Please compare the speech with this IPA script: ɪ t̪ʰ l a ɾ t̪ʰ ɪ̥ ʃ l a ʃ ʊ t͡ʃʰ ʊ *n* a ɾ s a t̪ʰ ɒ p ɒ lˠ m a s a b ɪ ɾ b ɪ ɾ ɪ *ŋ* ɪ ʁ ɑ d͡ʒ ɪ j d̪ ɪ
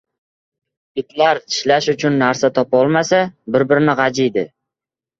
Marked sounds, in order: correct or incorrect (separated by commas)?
incorrect, incorrect